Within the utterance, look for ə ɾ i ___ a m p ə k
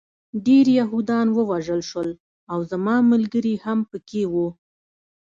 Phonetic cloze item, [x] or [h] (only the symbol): h